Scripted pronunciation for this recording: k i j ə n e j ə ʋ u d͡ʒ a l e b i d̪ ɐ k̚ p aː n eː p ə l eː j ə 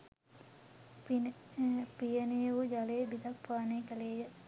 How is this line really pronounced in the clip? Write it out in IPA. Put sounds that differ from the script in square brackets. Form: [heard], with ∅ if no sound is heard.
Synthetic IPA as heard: [p] i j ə n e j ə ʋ u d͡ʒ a l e b i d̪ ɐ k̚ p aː n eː [k] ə l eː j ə